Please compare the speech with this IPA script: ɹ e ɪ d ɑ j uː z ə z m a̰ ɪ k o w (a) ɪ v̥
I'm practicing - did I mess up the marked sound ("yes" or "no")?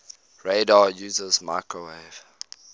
yes